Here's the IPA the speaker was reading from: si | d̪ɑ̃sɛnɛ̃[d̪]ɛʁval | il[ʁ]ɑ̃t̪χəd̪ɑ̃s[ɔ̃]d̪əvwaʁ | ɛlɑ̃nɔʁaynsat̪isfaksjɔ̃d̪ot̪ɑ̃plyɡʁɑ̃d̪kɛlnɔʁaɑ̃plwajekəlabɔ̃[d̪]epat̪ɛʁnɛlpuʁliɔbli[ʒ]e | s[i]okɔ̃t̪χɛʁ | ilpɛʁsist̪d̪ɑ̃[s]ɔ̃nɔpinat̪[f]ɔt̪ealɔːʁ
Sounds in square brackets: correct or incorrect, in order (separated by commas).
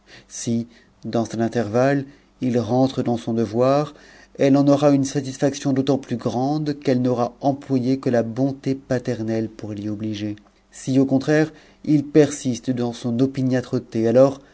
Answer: incorrect, correct, correct, incorrect, correct, correct, correct, incorrect